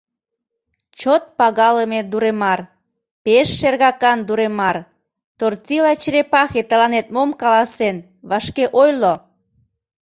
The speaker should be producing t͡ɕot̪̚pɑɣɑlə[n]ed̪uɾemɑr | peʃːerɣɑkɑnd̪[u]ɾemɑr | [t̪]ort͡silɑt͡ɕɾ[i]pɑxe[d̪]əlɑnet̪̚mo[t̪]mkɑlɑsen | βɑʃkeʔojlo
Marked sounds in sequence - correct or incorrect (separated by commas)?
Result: incorrect, correct, correct, incorrect, incorrect, incorrect